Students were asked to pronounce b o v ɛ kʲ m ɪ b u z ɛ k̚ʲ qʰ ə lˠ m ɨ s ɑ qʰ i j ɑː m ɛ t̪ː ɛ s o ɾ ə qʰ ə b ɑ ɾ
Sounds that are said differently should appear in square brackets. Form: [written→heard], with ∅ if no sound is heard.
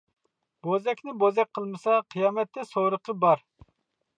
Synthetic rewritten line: b o [v→z] ɛ kʲ [m→n] ɪ b [u→o] z ɛ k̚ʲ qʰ ə lˠ m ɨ s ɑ qʰ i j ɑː m ɛ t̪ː ɛ s o ɾ ə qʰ ə b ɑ ɾ